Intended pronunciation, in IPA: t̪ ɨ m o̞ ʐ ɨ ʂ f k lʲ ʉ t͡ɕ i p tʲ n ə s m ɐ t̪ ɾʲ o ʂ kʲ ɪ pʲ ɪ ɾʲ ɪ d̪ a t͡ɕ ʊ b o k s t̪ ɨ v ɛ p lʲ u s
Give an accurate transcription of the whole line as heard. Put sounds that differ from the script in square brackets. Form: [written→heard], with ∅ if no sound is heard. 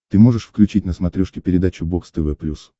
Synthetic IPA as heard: t̪ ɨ m o̞ ʐ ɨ ʂ f k lʲ ʉ t͡ɕ i [p→∅] tʲ n ə s m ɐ t̪ ɾʲ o ʂ kʲ ɪ pʲ ɪ ɾʲ ɪ d̪ a t͡ɕ ʊ b o k s t̪ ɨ v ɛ p lʲ u s